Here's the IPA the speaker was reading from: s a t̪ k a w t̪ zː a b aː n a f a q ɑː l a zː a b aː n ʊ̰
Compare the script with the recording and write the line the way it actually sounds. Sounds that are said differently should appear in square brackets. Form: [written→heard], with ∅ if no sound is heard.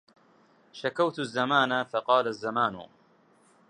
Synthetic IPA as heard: [s→ʃ] a [t̪→∅] k a w t̪ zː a [b→m] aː n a f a q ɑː l a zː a [b→m] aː n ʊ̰